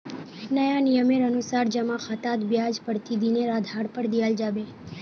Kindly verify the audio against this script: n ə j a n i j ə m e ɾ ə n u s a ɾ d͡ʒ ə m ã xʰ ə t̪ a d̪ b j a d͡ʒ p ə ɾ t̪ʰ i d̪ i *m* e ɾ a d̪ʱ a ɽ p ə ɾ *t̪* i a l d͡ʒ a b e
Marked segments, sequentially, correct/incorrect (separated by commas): incorrect, incorrect